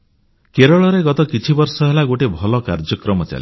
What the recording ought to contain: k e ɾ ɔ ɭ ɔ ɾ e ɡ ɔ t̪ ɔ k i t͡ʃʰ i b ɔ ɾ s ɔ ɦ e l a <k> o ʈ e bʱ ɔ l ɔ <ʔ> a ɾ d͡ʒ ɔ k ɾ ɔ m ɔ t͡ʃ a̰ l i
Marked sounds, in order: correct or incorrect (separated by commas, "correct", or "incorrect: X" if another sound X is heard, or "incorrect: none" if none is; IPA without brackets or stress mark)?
incorrect: ɡ, incorrect: k